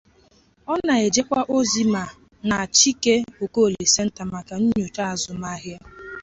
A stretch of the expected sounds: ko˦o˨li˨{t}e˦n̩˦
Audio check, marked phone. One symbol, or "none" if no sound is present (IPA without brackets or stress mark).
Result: s